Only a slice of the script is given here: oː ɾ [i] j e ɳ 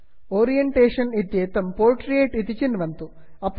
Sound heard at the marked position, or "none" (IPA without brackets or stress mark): i